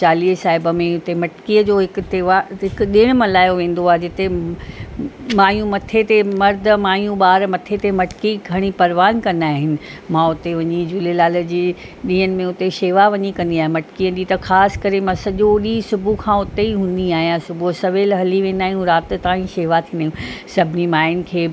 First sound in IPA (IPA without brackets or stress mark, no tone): t͡ɕ